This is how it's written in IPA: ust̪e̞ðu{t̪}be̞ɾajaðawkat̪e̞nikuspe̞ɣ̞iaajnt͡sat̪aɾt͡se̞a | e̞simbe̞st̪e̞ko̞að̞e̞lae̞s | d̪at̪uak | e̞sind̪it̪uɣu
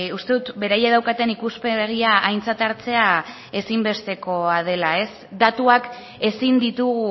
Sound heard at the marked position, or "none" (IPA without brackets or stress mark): t̪